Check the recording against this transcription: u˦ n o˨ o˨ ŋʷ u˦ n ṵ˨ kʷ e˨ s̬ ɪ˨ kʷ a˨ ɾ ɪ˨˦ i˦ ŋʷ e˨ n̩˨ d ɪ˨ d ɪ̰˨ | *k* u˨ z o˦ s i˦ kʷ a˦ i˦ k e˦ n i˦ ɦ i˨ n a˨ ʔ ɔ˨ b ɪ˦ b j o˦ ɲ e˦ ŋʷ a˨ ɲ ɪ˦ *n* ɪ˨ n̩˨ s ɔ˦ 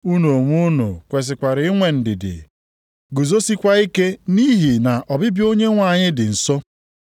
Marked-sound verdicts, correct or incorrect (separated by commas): incorrect, incorrect